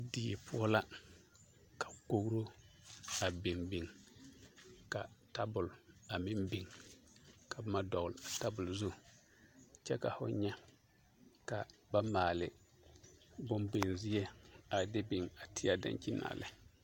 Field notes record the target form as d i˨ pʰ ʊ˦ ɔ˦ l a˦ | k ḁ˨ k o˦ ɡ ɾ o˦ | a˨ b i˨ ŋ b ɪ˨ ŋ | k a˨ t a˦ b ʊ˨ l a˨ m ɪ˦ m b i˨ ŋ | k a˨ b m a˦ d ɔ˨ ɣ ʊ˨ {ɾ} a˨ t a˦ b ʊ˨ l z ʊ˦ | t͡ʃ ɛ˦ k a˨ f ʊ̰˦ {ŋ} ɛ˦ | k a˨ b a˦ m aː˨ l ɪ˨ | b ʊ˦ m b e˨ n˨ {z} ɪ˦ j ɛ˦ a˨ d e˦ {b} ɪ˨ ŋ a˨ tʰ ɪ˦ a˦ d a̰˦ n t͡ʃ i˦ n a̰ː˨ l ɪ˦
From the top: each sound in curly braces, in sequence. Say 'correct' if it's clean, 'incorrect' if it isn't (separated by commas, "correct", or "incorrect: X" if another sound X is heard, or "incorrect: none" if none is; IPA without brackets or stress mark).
incorrect: l, incorrect: ɲ, correct, correct